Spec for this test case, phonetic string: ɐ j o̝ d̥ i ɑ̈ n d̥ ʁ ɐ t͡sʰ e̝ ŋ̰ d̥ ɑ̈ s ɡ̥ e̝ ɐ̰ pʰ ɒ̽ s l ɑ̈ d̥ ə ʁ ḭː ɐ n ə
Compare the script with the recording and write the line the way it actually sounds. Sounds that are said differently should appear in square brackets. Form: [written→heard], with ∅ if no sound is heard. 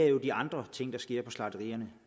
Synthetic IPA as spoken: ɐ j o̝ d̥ i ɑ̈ n d̥ ʁ ɐ t͡sʰ e̝ ŋ̰ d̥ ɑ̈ s ɡ̥ e̝ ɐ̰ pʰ ɒ̽ s l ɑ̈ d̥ ə ʁ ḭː ɐ n ə